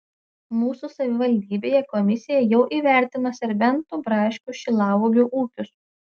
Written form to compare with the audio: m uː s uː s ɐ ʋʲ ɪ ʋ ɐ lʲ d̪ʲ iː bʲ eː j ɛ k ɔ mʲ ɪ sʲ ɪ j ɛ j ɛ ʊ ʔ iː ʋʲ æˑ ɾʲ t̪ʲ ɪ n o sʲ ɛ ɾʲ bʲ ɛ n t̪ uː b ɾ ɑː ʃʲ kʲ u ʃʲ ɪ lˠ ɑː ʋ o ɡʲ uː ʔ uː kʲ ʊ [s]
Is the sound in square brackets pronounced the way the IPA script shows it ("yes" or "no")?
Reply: yes